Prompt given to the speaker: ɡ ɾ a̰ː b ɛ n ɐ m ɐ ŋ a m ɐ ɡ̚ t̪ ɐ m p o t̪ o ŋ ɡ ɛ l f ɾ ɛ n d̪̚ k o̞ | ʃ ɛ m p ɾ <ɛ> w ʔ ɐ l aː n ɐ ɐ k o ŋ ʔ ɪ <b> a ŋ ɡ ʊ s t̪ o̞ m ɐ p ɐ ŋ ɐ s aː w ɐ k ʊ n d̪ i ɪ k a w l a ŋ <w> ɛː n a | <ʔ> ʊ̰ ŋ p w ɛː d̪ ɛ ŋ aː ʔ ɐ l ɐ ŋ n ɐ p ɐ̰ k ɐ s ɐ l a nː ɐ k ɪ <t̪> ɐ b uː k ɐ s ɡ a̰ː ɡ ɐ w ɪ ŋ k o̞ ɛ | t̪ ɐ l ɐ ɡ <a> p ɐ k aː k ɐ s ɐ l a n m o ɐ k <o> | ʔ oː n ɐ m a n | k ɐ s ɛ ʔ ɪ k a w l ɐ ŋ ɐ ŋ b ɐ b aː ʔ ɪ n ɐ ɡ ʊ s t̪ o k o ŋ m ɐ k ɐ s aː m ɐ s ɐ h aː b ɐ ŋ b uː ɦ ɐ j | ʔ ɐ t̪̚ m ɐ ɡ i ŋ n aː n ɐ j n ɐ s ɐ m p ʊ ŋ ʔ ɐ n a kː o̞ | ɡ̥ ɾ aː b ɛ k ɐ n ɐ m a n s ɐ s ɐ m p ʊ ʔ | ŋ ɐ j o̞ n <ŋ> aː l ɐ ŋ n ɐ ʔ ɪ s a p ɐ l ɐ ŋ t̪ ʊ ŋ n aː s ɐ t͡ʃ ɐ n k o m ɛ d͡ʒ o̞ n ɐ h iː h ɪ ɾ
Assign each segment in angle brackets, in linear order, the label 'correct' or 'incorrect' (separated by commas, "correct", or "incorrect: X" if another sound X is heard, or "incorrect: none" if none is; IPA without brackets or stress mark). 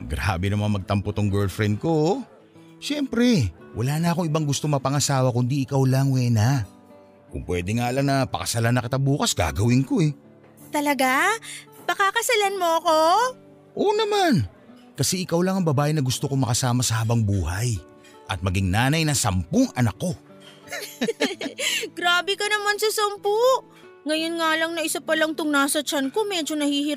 correct, correct, correct, incorrect: k, correct, correct, correct, correct